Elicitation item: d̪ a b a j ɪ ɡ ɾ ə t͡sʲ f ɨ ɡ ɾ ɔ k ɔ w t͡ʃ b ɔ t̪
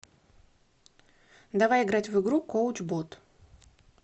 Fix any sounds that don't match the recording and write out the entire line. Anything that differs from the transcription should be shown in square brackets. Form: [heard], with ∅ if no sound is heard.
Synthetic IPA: d̪ a [v] a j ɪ ɡ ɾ [a] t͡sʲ [v] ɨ ɡ ɾ [u] k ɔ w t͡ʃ b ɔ t̪

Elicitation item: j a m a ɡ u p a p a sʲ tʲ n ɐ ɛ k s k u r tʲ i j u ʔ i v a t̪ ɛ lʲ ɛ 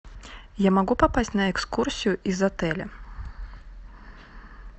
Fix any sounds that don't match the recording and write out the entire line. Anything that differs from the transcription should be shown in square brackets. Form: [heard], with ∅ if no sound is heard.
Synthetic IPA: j a m a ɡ u p a p a sʲ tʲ n ɐ ɛ k s k u r [sʲ] i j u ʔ i [z] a t̪ ɛ lʲ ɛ

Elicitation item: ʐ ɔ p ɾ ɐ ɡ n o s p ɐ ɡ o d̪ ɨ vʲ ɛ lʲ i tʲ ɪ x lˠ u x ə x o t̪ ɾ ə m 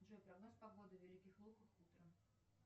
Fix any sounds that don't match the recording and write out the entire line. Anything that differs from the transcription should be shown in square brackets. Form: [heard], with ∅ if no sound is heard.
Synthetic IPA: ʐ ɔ p ɾ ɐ ɡ n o s p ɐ ɡ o d̪ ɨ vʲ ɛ lʲ i [kʲ] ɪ x lˠ u x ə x [u] t̪ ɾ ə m

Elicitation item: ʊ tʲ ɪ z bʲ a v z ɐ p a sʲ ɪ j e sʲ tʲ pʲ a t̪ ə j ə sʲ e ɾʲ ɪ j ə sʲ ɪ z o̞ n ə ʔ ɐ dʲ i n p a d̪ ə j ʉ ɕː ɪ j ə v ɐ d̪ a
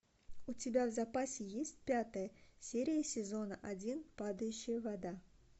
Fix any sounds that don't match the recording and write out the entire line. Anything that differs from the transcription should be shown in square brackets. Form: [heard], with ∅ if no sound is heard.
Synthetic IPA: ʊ tʲ ɪ [∅] bʲ a v z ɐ p a sʲ ɪ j e sʲ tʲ pʲ a t̪ ə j ə sʲ e ɾʲ ɪ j ə sʲ ɪ z o̞ n ə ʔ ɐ dʲ i n p a d̪ ə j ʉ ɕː ɪ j ə v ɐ d̪ a

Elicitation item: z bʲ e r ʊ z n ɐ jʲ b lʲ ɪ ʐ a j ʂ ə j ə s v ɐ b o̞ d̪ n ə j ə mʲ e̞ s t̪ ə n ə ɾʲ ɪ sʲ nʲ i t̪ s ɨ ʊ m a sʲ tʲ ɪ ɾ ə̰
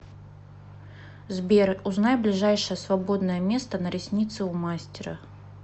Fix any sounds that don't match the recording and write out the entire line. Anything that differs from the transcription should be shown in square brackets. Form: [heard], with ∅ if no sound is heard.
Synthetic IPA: z bʲ e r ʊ z n [a] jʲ b lʲ ɪ ʐ a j ʂ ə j ə s v ɐ b o̞ d̪ n ə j ə mʲ e̞ s t̪ ə n ə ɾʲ ɪ sʲ nʲ i t̪ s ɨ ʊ m a sʲ tʲ ɪ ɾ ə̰

